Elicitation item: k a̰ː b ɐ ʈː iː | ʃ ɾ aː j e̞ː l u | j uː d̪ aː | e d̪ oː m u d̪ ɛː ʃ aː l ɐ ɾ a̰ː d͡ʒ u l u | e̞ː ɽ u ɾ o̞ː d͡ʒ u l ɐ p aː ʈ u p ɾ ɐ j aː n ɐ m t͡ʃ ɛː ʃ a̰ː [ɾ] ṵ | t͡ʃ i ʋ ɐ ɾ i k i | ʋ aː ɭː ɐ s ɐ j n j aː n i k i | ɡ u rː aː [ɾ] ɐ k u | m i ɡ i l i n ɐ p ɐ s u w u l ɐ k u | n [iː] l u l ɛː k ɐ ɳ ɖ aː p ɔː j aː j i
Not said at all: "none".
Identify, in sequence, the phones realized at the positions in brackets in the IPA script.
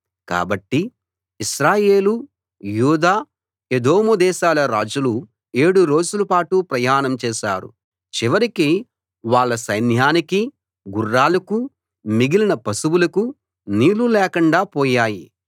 ɾ, l, iː

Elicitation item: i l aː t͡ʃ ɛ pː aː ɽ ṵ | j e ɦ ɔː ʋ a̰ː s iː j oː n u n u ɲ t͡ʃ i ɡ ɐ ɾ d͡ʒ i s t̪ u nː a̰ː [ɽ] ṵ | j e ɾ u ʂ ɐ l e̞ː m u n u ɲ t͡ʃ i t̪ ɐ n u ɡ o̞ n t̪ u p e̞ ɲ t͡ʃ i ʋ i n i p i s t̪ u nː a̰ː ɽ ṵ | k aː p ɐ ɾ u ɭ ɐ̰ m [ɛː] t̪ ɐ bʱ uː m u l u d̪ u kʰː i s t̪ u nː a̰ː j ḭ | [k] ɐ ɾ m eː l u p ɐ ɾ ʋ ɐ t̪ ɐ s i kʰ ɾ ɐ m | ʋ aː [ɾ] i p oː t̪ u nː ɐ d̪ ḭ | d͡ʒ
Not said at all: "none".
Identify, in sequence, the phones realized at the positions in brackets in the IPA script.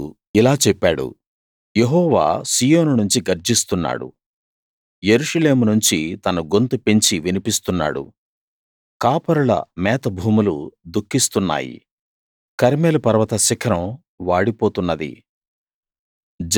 ɽ, ɛː, k, ɽ

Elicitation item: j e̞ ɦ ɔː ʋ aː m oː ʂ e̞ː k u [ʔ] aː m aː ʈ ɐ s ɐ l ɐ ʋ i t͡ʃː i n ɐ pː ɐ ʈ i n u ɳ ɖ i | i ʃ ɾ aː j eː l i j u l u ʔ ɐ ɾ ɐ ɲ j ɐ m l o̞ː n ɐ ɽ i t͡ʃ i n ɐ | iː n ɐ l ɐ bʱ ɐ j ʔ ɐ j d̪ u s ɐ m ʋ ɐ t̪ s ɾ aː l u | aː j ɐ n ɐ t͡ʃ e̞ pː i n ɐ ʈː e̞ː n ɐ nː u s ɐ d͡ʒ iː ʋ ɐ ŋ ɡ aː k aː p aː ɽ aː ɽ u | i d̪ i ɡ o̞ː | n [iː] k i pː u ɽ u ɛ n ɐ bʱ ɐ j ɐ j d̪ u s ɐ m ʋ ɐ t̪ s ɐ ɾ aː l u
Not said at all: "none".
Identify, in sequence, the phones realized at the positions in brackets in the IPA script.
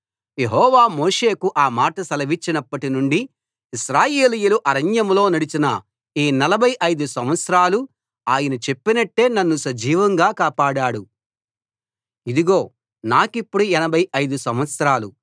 ʔ, aː

